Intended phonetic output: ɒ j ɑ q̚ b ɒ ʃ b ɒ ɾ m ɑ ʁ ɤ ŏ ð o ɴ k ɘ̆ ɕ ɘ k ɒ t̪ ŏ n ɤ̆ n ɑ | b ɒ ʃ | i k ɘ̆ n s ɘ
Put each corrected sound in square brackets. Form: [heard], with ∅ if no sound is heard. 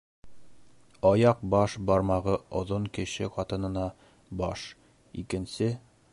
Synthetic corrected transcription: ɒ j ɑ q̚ b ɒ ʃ b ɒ ɾ m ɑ ʁ ɤ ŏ ð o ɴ k ɘ̆ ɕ ɘ [q] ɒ t̪ [ɤ̆] n ɤ̆ n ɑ | b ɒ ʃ | i k ɘ̆ n s ɘ